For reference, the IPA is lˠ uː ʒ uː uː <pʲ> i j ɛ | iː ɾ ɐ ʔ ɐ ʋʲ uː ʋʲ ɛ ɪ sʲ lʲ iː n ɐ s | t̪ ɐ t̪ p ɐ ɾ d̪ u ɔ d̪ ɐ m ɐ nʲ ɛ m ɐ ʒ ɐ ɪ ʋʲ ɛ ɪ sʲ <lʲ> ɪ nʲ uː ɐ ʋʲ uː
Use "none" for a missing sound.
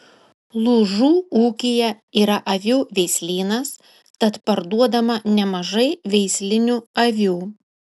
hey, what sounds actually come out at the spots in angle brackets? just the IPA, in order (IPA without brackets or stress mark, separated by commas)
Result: kʲ, lʲ